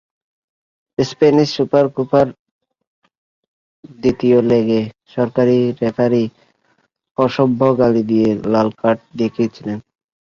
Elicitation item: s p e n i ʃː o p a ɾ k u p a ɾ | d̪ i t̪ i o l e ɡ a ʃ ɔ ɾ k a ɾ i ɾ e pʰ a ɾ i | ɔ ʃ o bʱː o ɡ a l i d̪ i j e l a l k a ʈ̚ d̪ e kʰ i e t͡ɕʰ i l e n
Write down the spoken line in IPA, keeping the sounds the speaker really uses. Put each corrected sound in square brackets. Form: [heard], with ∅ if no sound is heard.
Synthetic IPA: s p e n i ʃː [u] p a ɾ k u p a ɾ | d̪ i t̪ i o l e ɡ [e] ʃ ɔ ɾ k a ɾ i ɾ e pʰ a ɾ i | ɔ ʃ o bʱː o ɡ a l i d̪ i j e l a l k a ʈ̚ d̪ e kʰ i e t͡ɕʰ i l e n